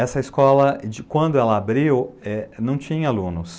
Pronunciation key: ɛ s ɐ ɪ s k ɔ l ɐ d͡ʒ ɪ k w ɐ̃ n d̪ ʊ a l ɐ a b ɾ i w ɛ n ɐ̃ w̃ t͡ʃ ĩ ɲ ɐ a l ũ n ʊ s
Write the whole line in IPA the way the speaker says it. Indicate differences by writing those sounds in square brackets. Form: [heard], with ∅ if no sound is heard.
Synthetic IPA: ɛ s ɐ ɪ s k ɔ l ɐ d͡ʒ ɪ k w ɐ̃ n d̪ ʊ [ɛ] l ɐ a b ɾ i w ɛ n ɐ̃ w̃ t͡ʃ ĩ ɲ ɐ a l ũ n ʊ s